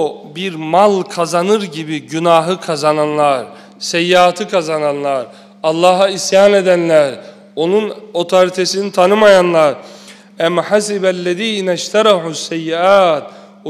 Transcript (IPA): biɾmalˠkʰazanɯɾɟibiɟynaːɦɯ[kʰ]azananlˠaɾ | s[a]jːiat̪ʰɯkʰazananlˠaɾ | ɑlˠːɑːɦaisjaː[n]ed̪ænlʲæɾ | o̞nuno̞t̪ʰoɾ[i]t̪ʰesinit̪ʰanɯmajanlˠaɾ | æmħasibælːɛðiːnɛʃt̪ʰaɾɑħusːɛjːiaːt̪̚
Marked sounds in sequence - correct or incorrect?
correct, incorrect, correct, correct

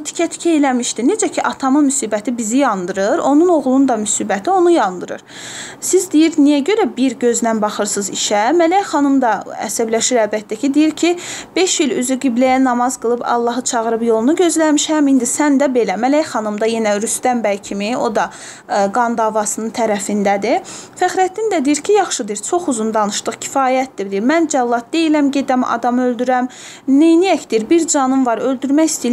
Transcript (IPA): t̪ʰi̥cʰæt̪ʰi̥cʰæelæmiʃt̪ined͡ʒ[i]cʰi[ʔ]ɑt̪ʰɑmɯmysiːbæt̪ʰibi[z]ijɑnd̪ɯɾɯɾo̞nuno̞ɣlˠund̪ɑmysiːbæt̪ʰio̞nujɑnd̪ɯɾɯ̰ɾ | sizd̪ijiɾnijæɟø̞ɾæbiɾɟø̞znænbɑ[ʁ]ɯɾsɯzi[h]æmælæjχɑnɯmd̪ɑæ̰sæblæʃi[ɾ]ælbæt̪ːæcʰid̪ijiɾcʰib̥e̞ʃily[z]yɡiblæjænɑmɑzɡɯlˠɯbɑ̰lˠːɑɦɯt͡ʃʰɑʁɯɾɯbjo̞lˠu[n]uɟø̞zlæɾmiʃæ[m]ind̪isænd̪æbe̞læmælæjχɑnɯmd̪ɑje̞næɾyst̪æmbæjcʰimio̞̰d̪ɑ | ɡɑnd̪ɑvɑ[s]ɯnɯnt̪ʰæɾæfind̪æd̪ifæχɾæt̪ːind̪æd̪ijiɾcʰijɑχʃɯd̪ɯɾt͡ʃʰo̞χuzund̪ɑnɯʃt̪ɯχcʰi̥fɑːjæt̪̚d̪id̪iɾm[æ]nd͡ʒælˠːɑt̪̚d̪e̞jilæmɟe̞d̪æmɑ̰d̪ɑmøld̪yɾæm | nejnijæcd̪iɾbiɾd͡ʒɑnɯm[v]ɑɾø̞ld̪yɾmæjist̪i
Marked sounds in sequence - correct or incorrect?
incorrect, correct, correct, incorrect, incorrect, correct, correct, correct, correct, correct, correct, correct

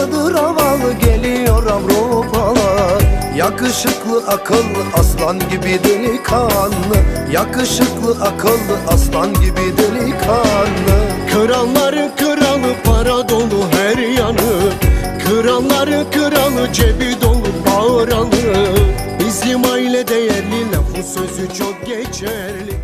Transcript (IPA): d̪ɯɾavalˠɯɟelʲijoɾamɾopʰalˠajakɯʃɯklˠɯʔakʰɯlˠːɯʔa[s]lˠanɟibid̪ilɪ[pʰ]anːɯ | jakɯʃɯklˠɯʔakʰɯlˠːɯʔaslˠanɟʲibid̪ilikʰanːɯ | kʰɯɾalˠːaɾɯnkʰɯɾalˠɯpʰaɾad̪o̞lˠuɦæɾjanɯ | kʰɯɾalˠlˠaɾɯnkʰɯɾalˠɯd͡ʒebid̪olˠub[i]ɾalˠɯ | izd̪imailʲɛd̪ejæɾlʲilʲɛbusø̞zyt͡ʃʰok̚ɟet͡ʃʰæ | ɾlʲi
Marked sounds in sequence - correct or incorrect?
correct, incorrect, incorrect

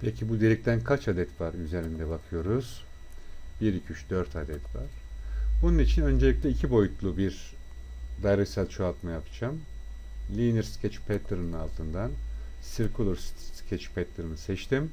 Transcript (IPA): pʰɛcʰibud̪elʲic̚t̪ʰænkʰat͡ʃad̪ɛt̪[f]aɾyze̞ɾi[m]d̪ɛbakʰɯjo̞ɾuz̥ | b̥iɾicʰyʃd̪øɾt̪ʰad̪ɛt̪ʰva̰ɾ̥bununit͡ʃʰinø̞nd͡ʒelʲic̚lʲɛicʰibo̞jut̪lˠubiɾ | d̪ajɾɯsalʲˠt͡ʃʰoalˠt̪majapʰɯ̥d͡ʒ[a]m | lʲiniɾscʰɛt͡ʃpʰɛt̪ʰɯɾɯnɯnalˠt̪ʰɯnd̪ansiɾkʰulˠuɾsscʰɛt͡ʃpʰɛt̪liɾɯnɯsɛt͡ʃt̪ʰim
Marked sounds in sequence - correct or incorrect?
incorrect, incorrect, correct

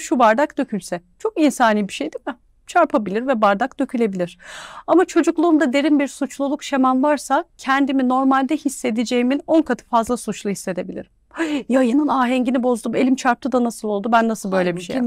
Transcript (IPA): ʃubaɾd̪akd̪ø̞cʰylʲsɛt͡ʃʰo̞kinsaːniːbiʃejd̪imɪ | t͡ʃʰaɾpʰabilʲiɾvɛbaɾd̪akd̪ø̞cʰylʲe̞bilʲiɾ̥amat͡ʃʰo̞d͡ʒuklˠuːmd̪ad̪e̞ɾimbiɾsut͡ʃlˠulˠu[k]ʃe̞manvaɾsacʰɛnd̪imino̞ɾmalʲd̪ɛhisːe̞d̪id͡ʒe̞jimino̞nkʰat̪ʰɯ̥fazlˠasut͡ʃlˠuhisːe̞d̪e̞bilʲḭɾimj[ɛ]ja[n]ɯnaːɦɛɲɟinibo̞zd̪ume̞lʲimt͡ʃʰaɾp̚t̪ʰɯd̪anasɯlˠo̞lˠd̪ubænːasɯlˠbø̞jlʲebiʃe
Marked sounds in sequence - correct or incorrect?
correct, incorrect, correct

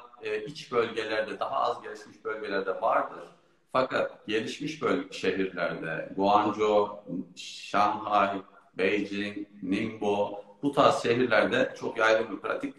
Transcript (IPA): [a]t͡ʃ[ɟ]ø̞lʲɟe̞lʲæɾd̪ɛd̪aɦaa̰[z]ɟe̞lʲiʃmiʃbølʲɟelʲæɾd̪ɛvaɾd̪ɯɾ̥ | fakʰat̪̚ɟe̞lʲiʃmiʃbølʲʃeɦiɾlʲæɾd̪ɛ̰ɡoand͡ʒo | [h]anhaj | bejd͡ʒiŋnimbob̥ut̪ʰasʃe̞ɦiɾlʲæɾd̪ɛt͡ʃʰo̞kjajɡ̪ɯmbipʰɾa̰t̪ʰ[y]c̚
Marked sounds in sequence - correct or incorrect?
incorrect, incorrect, correct, incorrect, incorrect

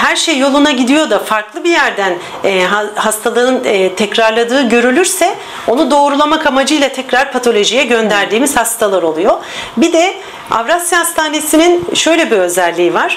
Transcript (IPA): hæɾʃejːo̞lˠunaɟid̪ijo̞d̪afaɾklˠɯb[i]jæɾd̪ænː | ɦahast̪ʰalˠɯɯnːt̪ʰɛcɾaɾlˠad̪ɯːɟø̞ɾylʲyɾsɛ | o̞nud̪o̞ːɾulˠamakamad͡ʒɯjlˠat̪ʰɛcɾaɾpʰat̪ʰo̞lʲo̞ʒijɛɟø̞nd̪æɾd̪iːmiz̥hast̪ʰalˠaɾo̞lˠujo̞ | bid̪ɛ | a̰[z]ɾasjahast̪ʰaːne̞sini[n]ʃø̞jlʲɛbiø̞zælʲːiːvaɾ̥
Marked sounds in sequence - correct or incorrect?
correct, incorrect, correct

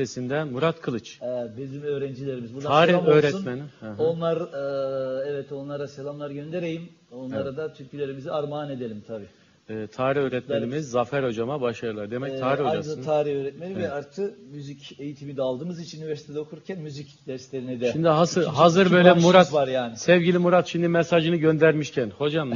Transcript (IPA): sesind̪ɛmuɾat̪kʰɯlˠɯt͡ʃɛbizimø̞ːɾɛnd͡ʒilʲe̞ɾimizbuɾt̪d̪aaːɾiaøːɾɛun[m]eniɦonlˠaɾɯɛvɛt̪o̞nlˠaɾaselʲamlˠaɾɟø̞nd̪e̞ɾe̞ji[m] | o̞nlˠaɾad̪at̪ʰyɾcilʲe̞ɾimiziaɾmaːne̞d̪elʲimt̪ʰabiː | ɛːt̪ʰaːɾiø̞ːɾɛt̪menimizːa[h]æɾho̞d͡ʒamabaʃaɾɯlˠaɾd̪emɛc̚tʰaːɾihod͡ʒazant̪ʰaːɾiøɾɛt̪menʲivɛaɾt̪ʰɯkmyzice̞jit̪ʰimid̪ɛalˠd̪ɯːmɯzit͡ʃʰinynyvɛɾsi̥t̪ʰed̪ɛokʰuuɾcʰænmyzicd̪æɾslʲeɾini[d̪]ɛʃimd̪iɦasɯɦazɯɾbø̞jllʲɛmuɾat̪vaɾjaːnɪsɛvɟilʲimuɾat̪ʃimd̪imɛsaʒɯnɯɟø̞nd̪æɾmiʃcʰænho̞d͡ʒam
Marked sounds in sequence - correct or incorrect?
correct, correct, incorrect, correct

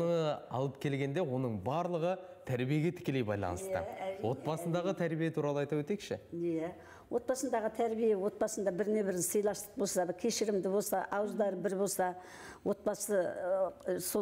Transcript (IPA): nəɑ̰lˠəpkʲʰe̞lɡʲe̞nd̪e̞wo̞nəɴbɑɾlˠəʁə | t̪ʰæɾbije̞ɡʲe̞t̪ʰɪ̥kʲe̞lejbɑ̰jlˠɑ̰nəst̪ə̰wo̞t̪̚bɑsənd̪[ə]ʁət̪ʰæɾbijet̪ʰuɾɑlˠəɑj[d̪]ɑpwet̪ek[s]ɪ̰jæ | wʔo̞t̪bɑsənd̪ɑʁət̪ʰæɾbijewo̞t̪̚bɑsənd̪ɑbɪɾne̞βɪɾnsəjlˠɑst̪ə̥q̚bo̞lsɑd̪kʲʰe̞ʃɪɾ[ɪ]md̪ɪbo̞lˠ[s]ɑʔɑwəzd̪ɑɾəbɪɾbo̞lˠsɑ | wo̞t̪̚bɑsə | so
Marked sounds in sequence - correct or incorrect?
incorrect, incorrect, incorrect, correct, correct

